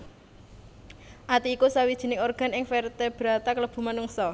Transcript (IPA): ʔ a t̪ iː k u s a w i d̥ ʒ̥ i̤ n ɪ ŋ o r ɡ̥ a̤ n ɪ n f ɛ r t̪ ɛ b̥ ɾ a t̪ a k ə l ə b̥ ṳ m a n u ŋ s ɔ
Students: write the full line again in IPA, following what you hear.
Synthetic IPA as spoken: ʔ a t̪ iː k u s a w i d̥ ʒ̥ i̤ n ɪ ŋ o r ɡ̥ a̤ n ɪ ŋ f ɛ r t̪ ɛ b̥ ɾ a t̪ a k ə l ə b̥ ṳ m a n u ŋ s ɔ